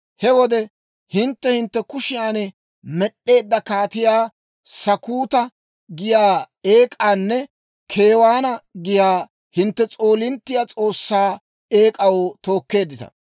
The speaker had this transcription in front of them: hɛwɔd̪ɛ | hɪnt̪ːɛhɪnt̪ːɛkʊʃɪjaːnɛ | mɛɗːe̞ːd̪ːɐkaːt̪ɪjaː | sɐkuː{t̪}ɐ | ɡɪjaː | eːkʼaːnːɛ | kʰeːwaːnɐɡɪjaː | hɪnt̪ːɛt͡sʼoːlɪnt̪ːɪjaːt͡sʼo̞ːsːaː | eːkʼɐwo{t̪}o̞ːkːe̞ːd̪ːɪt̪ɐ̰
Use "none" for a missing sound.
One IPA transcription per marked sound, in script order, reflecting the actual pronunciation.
t̪, t̪

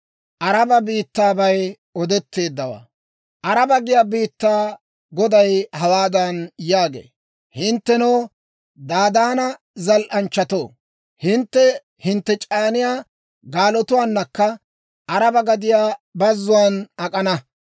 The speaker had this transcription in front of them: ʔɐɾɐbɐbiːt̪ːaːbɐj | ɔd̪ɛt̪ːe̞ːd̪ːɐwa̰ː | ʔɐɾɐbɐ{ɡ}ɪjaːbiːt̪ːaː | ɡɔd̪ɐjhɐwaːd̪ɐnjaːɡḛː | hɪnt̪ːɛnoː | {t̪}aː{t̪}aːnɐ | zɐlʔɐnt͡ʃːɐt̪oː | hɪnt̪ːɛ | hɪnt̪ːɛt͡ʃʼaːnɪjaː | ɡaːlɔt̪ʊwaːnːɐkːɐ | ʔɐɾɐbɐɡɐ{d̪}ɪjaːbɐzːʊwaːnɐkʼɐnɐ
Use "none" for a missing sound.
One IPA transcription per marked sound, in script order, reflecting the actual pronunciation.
ɡ, d̪, d̪, d̪

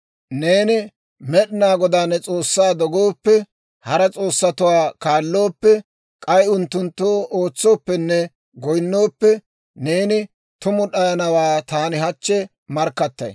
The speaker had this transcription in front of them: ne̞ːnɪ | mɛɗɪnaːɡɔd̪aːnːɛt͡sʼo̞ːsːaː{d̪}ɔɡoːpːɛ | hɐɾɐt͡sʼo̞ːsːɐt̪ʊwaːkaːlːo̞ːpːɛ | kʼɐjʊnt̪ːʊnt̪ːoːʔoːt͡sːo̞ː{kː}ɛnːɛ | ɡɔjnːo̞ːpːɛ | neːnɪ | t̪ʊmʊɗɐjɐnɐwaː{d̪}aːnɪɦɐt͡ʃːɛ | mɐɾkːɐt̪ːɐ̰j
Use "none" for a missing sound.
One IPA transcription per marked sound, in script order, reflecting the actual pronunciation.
d̪, pː, t̪

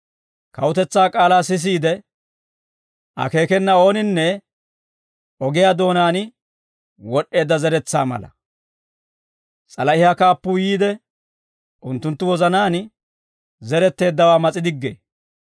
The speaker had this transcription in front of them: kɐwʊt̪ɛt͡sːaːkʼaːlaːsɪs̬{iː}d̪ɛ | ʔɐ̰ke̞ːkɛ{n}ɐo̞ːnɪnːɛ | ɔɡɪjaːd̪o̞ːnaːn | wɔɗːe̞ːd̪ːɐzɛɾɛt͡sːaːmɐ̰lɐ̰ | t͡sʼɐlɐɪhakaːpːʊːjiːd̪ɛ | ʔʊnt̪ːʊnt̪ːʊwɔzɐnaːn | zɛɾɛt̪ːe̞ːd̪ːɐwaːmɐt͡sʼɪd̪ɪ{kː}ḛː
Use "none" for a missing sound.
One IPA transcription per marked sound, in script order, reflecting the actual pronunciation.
iː, nː, ɡː

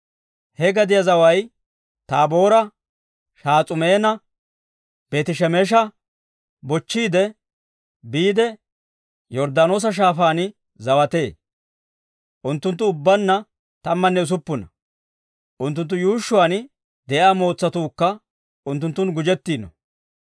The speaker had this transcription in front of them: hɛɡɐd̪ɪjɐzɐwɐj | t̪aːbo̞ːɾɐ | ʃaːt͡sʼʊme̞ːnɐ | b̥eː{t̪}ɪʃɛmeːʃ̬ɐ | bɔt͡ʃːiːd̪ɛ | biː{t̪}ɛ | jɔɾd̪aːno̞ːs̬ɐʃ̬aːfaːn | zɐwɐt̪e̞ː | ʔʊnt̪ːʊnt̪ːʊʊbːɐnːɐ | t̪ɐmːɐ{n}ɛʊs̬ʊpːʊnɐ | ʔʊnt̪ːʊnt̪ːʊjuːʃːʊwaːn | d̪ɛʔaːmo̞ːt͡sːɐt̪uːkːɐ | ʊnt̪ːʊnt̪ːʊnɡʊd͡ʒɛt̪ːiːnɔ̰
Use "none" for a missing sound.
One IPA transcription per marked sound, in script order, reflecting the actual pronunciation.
t̪, d̪, nː

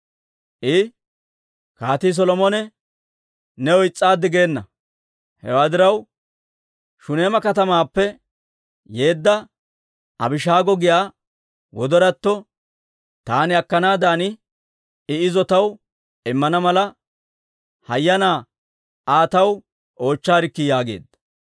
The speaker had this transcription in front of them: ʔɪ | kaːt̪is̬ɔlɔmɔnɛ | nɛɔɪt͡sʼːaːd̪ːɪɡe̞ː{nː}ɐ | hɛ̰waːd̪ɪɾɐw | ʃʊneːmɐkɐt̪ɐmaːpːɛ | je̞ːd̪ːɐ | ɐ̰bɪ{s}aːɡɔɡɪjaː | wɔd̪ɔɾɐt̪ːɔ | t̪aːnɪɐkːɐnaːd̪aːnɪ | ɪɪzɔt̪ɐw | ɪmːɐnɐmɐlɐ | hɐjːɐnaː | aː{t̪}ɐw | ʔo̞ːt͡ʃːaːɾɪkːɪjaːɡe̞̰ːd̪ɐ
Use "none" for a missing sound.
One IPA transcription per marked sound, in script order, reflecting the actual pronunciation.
nː, ʃ, t̪

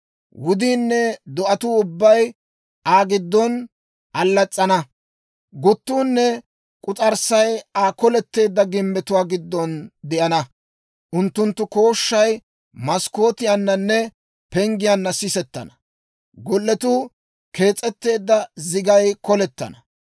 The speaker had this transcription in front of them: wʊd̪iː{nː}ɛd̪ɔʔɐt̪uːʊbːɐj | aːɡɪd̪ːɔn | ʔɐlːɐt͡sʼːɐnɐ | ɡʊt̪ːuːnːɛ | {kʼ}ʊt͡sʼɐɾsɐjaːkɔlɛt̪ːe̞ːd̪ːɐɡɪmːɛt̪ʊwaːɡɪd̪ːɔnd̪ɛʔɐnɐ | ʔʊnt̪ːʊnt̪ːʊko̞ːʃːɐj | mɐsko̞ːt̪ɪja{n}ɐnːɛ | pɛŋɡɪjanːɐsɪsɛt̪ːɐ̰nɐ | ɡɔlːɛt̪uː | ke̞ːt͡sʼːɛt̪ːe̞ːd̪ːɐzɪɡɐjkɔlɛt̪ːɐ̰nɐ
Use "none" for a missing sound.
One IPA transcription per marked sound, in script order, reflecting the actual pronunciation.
nː, kʼ, nː

